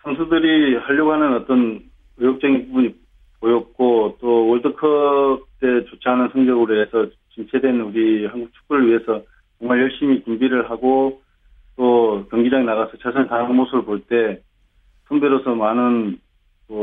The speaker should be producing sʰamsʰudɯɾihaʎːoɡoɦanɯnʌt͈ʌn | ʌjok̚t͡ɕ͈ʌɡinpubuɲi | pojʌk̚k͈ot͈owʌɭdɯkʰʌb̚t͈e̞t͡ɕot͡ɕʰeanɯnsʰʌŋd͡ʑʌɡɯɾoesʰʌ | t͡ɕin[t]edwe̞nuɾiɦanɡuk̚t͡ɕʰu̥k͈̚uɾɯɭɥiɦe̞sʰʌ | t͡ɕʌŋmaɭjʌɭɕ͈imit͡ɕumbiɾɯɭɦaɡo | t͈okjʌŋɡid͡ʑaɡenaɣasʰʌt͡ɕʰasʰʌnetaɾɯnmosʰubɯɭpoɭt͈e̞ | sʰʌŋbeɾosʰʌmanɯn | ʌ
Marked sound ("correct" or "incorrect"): incorrect